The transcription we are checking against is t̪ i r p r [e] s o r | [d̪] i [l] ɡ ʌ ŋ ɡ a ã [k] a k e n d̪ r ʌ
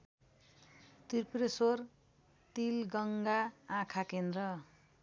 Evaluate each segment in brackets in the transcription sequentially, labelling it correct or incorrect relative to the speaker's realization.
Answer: correct, incorrect: t̪, correct, incorrect: kʰ

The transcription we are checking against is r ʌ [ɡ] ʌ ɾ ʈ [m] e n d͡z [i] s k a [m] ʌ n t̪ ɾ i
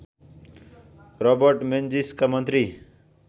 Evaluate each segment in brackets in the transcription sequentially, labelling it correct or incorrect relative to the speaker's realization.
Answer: incorrect: b, correct, correct, correct

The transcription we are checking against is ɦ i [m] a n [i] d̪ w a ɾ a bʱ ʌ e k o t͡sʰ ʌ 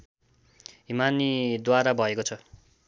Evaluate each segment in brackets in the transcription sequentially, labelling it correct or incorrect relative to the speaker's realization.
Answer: correct, correct

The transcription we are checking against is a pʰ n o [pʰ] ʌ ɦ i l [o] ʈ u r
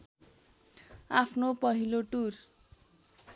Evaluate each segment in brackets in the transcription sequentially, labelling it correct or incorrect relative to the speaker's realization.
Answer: incorrect: p, correct

